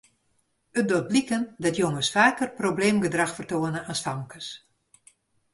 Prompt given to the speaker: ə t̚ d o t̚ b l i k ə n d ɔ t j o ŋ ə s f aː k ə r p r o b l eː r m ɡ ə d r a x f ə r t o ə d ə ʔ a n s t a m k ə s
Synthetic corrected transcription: ə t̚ d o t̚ b l i k ə n d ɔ t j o ŋ ə s f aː k ə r p r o b l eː m ɡ ə d r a x f ə r t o ə n ə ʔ a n s t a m k ə s